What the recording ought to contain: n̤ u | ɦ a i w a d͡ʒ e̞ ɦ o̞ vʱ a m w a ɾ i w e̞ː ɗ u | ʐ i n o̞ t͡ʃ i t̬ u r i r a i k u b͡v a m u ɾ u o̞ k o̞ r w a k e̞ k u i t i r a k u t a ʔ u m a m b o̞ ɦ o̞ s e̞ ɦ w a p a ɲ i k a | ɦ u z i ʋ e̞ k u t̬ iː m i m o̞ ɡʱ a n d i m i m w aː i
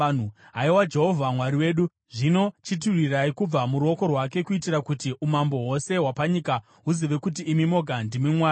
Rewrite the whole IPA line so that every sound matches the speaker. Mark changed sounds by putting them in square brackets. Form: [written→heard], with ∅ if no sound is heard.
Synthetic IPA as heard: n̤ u | ɦ a i w a d͡ʒ e̞ ɦ o̞ vʱ a m w a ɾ i w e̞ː ɗ u | ʐ i n o̞ t͡ʃ i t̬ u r i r a i k u b͡v a m u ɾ u o̞ k o̞ r w a k e̞ k u i t i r a k u t [a→i] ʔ u m a m b o̞ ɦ o̞ s e̞ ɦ w a p a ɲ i k a | ɦ u z i ʋ e̞ k u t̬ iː m i m o̞ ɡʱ a n d i m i m w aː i

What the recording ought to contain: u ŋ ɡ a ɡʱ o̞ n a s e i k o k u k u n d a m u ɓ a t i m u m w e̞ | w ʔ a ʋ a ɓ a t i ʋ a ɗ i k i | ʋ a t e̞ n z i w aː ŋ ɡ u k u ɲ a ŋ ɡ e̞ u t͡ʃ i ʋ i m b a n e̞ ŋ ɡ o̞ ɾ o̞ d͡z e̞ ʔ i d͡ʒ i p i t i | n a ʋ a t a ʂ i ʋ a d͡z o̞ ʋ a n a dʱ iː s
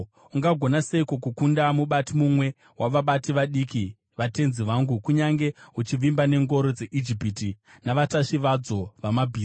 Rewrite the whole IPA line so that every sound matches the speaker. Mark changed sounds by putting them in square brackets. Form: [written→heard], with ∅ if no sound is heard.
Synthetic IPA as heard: u ŋ ɡ a ɡʱ o̞ n a s e i k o k u k u n d a m u ɓ a t i m u m w e̞ | w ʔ a ʋ a ɓ a t i ʋ a ɗ i k i | ʋ a t e̞ n z i [w→ʋ] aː ŋ ɡ u k u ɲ a ŋ ɡ e̞ u t͡ʃ i ʋ i m b a n e̞ ŋ ɡ o̞ ɾ o̞ d͡z e̞ ʔ i d͡ʒ i p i t i | n a ʋ a t a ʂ i ʋ a d͡z o̞ ʋ a [n→m] a [dʱ→bʱ] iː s

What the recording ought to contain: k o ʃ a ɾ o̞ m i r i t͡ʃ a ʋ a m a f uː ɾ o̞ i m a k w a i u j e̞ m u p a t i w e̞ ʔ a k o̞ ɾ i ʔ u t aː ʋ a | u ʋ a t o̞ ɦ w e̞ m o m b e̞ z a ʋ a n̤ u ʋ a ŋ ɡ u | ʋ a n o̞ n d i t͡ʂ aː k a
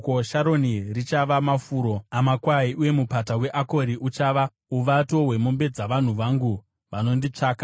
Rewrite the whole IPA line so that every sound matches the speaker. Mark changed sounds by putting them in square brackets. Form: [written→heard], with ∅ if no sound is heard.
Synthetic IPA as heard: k o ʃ a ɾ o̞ [m→n] i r i t͡ʃ a ʋ a m a f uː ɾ o̞ [i→a] m a k w a i u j e̞ m u p a t [i→a] w e̞ ʔ a k o̞ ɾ i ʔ u [t→t͡ʃ] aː ʋ a | u ʋ a t o̞ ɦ w e̞ m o m b e̞ [z→d͡z] a ʋ a n̤ u ʋ a ŋ ɡ u | ʋ a n o̞ n d i t͡ʂ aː k a

